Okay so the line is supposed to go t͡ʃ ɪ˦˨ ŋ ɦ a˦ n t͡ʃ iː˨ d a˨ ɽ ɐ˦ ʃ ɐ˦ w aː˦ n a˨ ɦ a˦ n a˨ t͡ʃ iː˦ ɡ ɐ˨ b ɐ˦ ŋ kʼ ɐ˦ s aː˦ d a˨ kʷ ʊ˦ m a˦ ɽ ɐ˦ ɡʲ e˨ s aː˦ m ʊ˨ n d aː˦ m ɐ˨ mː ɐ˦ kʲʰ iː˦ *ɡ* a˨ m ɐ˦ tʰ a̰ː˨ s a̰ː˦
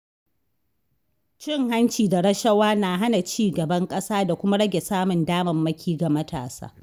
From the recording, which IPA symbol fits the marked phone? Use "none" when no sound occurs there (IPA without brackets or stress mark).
ɡ